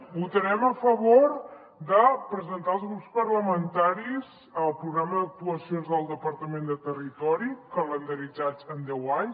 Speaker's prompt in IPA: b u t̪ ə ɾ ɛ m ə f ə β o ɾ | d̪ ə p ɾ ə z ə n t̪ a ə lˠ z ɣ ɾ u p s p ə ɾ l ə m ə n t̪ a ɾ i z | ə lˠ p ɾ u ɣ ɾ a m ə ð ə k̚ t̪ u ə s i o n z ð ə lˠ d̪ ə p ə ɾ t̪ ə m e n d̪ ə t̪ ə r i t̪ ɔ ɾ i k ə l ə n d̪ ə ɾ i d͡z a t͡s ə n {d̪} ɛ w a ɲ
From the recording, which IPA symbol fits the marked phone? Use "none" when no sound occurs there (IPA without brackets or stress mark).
d̪